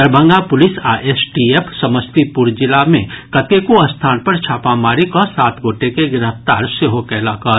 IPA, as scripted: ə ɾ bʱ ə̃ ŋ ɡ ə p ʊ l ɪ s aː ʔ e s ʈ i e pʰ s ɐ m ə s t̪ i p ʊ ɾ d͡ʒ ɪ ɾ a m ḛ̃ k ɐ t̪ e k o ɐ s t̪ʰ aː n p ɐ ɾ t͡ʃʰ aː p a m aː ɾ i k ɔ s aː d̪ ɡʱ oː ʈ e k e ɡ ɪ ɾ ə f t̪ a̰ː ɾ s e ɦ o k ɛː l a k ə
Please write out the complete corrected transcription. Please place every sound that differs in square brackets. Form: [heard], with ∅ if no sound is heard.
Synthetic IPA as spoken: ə ɾ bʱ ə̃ ŋ ɡ [a] p ʊ l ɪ s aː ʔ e s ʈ i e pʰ s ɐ m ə s t̪ i p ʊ ɾ d͡ʒ ɪ [l] a m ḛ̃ k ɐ t̪ e k o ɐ s t̪ʰ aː n p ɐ ɾ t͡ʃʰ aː p a m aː ɾ i k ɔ s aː [t̪] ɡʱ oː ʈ e k e ɡ ɪ ɾ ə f t̪ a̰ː ɾ s e ɦ o k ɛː l a k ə